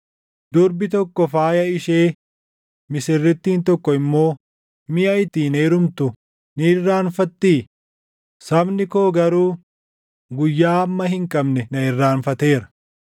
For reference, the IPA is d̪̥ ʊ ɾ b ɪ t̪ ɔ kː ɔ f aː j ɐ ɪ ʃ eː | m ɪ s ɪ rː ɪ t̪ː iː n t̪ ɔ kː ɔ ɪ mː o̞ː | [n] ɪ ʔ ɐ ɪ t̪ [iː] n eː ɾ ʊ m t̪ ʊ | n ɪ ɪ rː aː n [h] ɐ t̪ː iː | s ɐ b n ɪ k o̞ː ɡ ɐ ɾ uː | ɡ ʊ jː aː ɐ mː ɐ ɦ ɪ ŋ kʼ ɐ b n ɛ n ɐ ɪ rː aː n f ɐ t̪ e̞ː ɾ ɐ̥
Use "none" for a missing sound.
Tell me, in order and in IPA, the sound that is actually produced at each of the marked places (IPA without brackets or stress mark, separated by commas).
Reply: m, iː, f